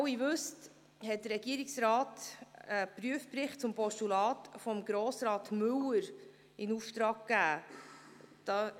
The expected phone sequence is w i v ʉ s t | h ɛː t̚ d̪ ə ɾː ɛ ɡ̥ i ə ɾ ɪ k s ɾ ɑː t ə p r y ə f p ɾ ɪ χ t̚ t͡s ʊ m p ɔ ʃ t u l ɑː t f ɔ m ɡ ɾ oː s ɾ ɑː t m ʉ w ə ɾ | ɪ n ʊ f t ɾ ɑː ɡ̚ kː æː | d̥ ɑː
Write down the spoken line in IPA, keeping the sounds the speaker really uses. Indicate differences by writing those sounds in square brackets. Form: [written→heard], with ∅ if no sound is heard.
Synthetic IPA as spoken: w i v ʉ s t | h [ɛː→ɛ] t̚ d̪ ə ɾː ɛ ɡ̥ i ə ɾ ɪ k s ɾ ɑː t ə p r y ə f p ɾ ɪ χ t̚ t͡s ʊ m p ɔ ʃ t u l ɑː t f ɔ m ɡ ɾ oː s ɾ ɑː t m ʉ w ə ɾ | ɪ n [ʊ→u] f t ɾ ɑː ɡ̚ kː æː | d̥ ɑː